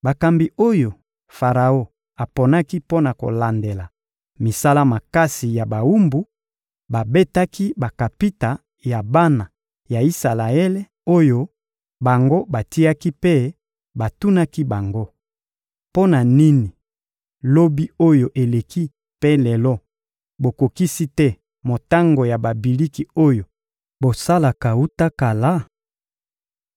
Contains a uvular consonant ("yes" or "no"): yes